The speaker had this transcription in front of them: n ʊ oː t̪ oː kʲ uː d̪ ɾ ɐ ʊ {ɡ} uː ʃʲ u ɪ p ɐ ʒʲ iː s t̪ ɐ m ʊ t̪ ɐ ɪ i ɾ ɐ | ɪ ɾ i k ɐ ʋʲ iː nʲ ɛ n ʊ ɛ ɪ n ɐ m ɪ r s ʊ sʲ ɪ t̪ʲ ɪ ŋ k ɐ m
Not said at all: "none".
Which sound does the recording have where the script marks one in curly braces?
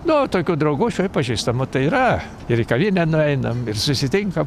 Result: ɡ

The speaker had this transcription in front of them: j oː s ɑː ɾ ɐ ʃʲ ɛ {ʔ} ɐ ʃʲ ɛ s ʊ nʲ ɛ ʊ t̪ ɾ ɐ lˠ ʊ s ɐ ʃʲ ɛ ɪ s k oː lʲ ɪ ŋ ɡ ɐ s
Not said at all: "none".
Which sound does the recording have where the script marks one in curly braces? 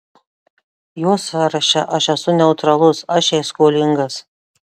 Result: ʔ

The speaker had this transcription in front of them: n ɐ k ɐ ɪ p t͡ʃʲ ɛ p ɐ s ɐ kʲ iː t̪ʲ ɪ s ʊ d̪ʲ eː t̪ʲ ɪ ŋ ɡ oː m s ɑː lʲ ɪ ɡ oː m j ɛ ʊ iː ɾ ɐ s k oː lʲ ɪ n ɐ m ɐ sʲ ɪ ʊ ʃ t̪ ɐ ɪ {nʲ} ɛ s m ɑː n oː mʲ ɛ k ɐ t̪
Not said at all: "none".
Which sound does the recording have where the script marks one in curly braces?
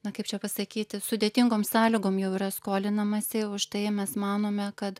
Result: mʲ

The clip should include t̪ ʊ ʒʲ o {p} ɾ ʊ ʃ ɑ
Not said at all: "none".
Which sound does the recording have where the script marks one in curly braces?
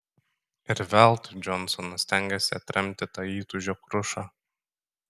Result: k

